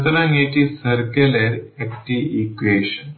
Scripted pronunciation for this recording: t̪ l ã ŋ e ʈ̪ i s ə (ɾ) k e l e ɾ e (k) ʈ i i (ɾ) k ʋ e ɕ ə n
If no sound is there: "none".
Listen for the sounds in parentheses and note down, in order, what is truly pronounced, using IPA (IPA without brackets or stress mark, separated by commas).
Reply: ɾ, k, none